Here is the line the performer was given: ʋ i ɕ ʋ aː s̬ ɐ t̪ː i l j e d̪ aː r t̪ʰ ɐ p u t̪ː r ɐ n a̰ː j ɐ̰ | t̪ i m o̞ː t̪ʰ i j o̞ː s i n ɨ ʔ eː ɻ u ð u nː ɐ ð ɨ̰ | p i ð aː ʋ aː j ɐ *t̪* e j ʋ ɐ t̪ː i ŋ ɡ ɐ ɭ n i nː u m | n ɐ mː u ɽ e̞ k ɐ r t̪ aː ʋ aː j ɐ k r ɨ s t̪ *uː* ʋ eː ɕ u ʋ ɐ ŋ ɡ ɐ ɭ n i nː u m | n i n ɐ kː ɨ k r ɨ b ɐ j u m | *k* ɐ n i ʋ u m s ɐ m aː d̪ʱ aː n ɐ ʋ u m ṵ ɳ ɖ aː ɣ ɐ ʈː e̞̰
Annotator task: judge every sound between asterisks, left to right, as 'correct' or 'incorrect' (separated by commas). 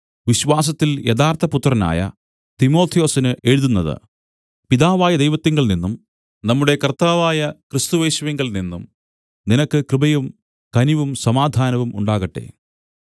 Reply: incorrect, incorrect, correct